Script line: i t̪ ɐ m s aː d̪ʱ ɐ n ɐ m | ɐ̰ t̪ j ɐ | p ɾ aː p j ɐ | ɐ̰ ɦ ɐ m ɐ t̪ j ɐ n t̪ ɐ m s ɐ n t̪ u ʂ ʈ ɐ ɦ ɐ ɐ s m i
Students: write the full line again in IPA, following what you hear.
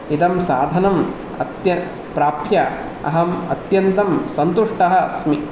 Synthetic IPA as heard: i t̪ ɐ m s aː d̪ʱ ɐ n ɐ m | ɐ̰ t̪ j ɐ | p ɾ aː p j ɐ | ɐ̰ ɦ ɐ m ɐ t̪ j ɐ n t̪ ɐ m s ɐ n t̪ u ʂ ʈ ɐ ɦ ɐ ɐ s m i